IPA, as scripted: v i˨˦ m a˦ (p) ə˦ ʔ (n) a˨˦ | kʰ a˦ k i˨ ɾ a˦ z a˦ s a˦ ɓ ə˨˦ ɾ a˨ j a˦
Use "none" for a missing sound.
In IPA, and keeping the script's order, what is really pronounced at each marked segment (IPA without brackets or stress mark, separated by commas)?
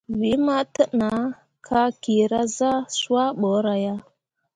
t, n